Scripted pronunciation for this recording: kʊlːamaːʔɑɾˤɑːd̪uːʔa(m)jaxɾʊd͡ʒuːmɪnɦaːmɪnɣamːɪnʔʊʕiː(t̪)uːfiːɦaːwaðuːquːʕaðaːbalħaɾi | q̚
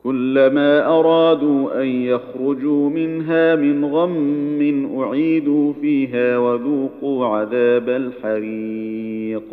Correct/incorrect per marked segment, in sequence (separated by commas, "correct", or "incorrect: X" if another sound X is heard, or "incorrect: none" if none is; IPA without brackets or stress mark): incorrect: n, incorrect: d̪